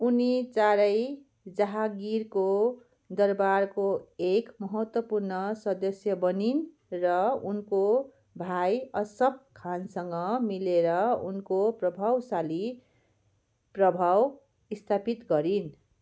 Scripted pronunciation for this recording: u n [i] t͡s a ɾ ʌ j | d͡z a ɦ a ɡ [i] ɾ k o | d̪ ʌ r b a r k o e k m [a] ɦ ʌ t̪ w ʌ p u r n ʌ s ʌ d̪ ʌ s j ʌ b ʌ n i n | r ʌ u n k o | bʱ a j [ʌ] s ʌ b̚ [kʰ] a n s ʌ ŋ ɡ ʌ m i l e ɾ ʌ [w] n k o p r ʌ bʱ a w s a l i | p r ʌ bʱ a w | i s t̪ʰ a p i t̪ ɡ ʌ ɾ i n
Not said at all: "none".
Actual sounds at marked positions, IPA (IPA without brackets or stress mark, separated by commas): i, i, ʌ, ʌ, kʰ, u